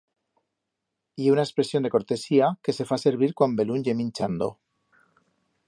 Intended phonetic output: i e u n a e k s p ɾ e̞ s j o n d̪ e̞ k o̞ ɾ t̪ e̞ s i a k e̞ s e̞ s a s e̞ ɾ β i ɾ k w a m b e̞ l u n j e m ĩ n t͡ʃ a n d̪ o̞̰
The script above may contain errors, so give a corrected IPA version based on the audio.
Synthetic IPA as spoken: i e u n a e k s p ɾ e̞ s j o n d̪ e̞ k o̞ ɾ t̪ e̞ s i a k e̞ s e̞ f a s e̞ ɾ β i ɾ k w a m b e̞ l u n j e m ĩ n t͡ʃ a n d̪ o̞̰